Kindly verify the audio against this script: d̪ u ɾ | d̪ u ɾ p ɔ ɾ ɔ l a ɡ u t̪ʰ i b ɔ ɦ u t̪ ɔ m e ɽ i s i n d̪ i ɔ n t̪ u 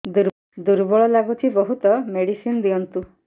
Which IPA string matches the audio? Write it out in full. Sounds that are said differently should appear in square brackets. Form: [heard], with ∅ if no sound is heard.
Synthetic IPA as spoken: d̪ u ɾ | d̪ u ɾ [b] ɔ [ɭ] ɔ l a ɡ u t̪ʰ i b ɔ ɦ u t̪ ɔ m e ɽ i s i n d̪ i ɔ n t̪ u